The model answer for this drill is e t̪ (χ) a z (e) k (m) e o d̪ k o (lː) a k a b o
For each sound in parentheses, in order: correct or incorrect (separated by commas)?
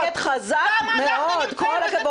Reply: correct, incorrect, correct, incorrect